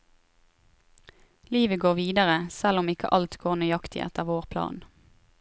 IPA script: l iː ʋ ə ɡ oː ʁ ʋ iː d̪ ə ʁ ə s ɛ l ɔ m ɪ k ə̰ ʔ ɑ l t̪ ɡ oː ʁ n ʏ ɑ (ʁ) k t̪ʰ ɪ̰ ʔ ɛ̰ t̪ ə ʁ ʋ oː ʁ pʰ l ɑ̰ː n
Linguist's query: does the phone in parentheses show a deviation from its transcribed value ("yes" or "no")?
yes